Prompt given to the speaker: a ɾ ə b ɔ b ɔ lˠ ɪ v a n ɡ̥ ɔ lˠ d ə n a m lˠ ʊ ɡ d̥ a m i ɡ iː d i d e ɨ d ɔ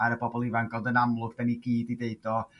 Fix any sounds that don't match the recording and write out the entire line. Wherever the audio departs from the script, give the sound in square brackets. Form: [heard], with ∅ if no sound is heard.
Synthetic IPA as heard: a ɾ ə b ɔ b ɔ lˠ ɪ v a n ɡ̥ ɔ lˠ d ə n a m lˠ ʊ ɡ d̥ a [n] i ɡ iː d i d e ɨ d ɔ